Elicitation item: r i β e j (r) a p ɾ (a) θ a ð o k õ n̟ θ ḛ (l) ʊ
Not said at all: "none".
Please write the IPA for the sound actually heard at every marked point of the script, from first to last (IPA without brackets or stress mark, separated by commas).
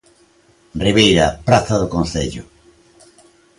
ɾ, a, ʎ